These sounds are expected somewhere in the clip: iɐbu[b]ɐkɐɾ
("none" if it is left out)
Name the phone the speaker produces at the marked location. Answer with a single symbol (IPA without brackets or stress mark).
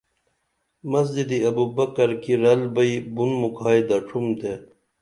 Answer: b